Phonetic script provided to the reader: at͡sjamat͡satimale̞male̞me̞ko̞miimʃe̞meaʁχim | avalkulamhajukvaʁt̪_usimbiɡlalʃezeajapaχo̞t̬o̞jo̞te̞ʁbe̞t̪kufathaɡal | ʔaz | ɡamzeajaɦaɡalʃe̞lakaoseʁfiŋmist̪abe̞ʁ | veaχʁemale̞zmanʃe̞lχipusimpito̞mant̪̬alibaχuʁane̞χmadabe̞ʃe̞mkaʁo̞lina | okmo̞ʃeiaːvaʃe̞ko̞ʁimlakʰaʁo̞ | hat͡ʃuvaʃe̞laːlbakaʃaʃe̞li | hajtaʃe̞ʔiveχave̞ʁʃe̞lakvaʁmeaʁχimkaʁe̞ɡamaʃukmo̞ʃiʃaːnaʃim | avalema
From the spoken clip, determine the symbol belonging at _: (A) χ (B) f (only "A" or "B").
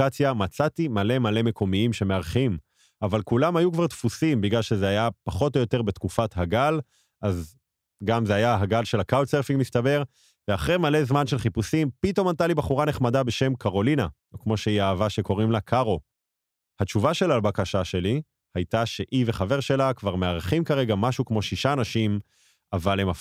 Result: B